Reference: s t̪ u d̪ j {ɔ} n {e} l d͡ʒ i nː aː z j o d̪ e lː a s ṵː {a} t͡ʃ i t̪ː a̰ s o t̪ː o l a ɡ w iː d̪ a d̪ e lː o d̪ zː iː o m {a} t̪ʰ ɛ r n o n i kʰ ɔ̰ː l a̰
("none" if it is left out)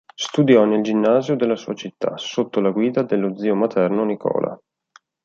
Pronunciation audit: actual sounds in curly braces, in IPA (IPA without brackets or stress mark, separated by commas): ɔ, e, a, a